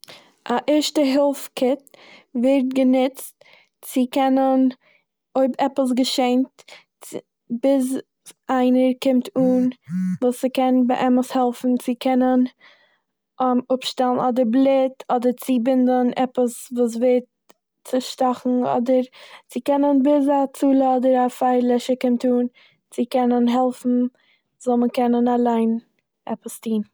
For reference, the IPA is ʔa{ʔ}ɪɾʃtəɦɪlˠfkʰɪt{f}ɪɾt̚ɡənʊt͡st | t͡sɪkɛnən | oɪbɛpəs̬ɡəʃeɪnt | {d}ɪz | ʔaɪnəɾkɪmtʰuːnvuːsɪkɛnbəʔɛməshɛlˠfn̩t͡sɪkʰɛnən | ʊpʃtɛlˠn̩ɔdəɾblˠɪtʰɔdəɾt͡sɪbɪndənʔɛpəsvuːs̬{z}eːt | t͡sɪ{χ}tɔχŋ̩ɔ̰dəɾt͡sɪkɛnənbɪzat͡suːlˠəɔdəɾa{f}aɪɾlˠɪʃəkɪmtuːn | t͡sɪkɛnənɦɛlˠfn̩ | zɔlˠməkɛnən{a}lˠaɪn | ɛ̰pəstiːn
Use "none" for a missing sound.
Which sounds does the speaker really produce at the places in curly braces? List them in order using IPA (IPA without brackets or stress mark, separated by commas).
ʔ, v, b, v, ʃ, f, a